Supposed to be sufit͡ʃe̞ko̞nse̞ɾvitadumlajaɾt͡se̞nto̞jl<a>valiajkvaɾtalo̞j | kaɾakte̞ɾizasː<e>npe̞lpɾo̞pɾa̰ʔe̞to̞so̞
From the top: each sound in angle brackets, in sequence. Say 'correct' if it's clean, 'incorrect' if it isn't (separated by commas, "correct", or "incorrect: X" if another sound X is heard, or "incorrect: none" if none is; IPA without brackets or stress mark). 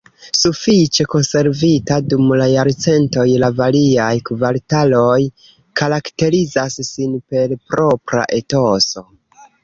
correct, incorrect: i